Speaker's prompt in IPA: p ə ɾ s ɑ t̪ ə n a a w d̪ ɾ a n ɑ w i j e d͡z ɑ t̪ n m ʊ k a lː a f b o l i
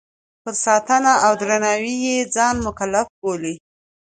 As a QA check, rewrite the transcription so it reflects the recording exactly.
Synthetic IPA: p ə ɾ s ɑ t̪ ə n a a w d̪ ɾ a n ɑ w i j e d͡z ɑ n m ʊ k a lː a f b o l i